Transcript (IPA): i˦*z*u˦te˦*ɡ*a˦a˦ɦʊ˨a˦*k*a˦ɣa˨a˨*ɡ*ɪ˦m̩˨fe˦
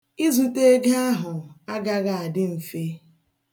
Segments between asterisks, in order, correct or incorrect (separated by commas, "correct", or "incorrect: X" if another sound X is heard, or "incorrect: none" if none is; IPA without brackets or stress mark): correct, correct, incorrect: ɡ, incorrect: d